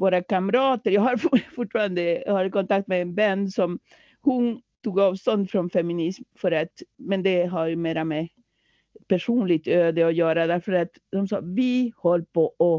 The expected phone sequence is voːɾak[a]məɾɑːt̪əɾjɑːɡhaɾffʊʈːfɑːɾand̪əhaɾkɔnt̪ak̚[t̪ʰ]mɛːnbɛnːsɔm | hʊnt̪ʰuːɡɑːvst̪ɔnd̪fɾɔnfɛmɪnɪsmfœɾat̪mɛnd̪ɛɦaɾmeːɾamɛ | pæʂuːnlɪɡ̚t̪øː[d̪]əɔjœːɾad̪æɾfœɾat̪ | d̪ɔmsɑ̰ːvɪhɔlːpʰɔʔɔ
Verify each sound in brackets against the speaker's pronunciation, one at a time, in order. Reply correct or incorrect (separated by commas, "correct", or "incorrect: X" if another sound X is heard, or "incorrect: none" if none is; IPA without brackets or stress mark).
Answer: correct, incorrect: t̪, correct